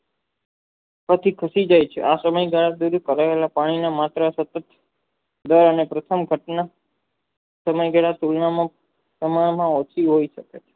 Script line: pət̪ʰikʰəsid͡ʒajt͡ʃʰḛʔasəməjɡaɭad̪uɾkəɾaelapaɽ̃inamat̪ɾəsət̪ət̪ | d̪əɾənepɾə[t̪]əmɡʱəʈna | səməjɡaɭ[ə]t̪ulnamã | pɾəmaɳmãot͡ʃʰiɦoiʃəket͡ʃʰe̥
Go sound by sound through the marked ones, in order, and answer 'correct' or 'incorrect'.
incorrect: t̪ʰ, incorrect: a

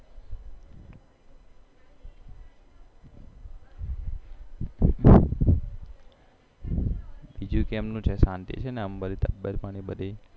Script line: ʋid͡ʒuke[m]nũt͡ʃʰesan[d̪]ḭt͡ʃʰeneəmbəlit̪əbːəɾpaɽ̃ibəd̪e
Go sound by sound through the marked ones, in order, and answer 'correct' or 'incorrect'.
correct, incorrect: t̪

